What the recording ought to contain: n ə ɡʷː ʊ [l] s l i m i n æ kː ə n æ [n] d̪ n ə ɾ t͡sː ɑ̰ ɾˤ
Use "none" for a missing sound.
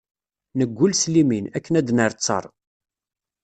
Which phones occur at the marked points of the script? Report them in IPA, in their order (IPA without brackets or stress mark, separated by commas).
l, none